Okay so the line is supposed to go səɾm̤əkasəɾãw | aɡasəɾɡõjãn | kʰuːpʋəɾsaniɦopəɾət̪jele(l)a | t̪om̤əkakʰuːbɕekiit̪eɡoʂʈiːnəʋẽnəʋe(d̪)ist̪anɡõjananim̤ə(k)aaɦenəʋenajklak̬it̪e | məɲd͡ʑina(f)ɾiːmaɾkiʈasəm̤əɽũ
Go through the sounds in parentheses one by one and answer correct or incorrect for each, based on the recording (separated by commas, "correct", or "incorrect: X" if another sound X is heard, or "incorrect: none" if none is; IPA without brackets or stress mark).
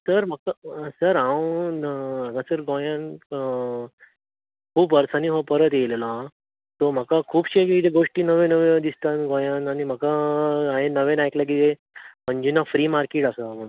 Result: correct, correct, correct, correct